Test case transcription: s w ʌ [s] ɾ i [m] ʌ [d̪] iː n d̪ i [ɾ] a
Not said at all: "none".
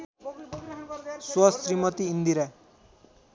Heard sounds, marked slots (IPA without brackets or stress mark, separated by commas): s, m, t̪, ɾ